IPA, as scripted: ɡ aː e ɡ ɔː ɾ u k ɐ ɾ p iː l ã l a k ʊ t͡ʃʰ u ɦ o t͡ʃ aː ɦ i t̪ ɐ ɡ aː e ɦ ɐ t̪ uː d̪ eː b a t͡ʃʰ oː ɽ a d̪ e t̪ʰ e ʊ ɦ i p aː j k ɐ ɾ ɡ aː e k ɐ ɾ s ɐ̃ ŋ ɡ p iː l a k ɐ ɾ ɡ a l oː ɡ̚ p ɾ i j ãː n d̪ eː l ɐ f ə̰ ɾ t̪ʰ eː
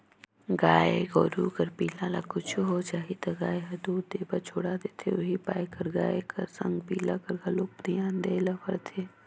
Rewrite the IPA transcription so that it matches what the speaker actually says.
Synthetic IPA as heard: ɡ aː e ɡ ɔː ɾ u k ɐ ɾ p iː l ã l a k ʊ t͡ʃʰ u ɦ o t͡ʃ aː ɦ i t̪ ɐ ɡ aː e ɦ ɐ d̪ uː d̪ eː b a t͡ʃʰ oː ɽ a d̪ e t̪ʰ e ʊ ɦ i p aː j k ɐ ɾ ɡ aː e k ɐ ɾ s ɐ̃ ŋ ɡ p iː l a k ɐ ɾ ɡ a l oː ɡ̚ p ɾ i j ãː n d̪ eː l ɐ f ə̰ ɾ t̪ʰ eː